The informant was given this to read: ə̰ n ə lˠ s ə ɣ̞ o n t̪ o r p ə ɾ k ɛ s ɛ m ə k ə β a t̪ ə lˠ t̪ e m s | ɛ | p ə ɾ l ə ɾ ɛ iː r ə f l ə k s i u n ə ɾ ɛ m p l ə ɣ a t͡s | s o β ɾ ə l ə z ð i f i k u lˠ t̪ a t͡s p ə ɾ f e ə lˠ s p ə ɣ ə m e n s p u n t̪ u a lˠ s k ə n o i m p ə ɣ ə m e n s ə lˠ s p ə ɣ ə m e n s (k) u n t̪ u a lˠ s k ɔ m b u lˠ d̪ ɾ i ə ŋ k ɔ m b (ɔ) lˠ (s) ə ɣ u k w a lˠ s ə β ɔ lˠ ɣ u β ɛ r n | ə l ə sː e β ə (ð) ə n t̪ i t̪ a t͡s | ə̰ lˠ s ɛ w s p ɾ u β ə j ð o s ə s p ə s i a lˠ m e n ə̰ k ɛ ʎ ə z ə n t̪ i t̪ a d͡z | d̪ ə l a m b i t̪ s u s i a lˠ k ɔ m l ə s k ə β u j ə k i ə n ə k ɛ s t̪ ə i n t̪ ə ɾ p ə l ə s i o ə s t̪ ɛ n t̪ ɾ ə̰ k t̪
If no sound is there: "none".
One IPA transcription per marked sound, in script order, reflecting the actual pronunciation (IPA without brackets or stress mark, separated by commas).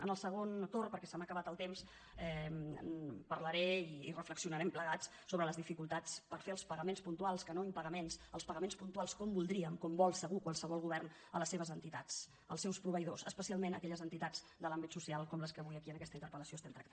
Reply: p, ɔ, s, z